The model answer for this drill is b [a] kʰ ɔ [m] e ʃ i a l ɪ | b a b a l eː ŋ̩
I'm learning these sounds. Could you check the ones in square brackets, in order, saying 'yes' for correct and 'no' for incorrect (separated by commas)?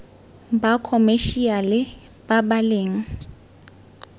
yes, yes